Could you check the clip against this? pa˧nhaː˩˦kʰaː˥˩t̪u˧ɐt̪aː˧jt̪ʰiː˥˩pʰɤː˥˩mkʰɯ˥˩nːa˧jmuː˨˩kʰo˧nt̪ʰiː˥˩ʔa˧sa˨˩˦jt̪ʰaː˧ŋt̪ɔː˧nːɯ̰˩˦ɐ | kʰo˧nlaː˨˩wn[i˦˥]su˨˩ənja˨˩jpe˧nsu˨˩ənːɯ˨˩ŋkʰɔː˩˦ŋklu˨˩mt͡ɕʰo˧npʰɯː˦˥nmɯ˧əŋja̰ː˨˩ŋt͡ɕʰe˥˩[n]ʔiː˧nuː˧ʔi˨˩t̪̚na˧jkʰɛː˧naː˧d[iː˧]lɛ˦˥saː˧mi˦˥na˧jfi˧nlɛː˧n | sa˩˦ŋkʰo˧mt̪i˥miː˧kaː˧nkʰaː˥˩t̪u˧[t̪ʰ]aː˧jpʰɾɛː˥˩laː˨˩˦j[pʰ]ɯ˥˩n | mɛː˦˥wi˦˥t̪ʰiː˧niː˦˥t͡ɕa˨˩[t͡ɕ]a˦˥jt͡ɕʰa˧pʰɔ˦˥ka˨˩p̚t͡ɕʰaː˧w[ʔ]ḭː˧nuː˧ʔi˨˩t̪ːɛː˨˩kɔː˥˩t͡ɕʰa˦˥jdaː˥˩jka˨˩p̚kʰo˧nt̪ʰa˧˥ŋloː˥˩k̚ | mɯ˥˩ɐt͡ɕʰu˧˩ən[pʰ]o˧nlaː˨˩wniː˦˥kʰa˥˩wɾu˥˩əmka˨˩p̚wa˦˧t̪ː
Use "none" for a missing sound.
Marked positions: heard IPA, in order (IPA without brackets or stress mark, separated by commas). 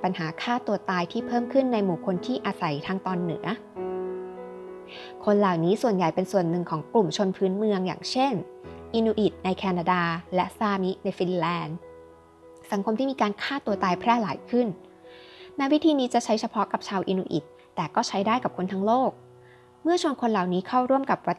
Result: iː˦˥, n, aː˧, t̪, kʰ, t͡ɕʰ, ʔ, kʰ